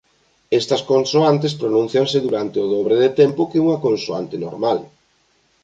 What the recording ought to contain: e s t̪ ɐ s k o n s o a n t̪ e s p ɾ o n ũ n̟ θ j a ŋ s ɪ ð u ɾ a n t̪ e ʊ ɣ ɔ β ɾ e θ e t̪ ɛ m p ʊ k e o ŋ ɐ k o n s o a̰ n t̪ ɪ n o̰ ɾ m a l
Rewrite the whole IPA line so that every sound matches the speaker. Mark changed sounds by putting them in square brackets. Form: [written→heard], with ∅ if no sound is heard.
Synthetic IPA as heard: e s t̪ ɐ s k o n s o a n t̪ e s p ɾ o n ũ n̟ θ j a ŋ s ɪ ð u ɾ a n t̪ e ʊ [ɣ→ð] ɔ β ɾ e [θ→ð] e t̪ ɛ m p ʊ k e [o→u] ŋ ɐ k o n s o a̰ n t̪ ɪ n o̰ ɾ m a l